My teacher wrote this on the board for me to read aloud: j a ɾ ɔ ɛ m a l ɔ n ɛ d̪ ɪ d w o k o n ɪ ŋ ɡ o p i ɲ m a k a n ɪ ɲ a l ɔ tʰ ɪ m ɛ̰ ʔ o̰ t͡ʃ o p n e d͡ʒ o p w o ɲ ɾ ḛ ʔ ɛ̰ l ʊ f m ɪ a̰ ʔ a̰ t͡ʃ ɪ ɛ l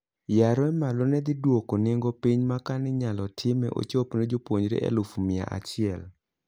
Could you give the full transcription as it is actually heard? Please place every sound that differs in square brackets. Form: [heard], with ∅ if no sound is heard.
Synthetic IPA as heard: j a ɾ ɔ ɛ m a l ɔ n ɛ d̪ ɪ d w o k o n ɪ ŋ ɡ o p i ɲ m a k a n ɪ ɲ a l ɔ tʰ ɪ m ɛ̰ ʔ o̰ t͡ʃ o p n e d͡ʒ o p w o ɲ ɾ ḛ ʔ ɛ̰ l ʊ f m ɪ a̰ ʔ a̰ t͡ʃ ɪ ɛ l